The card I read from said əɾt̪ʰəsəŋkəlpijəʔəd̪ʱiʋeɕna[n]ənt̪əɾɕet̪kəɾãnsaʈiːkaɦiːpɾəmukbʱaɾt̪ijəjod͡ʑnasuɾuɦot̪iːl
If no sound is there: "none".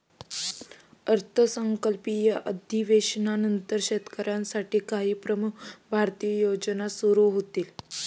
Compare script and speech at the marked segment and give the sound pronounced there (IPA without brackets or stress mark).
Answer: n